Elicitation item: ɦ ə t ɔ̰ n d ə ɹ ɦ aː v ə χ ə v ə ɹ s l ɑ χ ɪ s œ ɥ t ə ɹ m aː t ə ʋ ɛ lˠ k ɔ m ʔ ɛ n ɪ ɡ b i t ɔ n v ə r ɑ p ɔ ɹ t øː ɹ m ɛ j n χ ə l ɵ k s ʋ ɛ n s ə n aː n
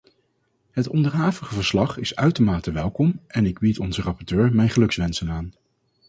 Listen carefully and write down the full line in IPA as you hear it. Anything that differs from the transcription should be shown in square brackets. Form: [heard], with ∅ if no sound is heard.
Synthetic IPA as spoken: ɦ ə t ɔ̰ n d ə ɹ ɦ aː v ə χ ə v ə ɹ s l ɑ χ ɪ s œ ɥ t ə ɹ m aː t ə ʋ ɛ lˠ k ɔ m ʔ ɛ n ɪ ɡ b i t ɔ n [z] ə r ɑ p ɔ ɹ t øː ɹ m ɛ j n χ ə l ɵ k s ʋ ɛ n s ə n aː n